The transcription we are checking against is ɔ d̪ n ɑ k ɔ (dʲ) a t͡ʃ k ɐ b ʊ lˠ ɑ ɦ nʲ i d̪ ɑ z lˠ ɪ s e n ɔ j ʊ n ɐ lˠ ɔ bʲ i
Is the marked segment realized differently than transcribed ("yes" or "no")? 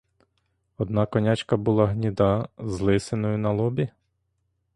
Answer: yes